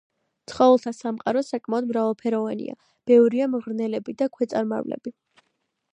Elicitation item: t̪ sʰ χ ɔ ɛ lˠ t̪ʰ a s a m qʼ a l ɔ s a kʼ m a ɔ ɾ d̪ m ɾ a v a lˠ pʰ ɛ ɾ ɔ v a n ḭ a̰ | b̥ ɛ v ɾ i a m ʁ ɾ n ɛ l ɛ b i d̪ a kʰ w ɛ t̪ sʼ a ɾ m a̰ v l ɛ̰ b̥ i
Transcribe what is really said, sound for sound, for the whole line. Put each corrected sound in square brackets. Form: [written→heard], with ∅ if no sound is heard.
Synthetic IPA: t̪ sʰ χ ɔ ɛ lˠ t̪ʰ a s a m qʼ a [l→ɾ] ɔ s a kʼ m a ɔ [ɾ→∅] d̪ m ɾ a v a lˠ pʰ ɛ ɾ ɔ v a n ḭ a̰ | b̥ ɛ v ɾ i a m ʁ ɾ n ɛ l ɛ b i d̪ a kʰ w ɛ t̪ sʼ a ɾ m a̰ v l ɛ̰ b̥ i